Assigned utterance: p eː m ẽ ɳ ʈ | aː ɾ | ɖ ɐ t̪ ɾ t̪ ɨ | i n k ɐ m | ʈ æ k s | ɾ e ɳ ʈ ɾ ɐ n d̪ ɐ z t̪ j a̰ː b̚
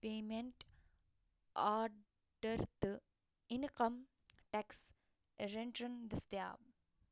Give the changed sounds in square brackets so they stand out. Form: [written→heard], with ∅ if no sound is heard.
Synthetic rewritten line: p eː m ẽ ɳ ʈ | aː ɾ | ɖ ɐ [t̪→∅] ɾ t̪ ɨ | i n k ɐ m | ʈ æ k s | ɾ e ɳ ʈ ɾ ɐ n d̪ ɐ [z→s] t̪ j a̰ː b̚